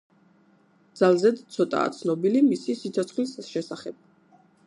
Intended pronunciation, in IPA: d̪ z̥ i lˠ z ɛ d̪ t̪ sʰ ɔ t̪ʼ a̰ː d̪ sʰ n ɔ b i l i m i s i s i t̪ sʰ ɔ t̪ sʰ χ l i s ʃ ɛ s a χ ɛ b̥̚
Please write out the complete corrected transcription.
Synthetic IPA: d̪ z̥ a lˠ z ɛ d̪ t̪ sʰ ɔ t̪ʼ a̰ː t̪ sʰ n ɔ b i l i m i s i s i t̪ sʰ ɔ t̪ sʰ χ l i s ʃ ɛ s a χ ɛ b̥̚